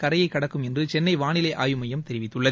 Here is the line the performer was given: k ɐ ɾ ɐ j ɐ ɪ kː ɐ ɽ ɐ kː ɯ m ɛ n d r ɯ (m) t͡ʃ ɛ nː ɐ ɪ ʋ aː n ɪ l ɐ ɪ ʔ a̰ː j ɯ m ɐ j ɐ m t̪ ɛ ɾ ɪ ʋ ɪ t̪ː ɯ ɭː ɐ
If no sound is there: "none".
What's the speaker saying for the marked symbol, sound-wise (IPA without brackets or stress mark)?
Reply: none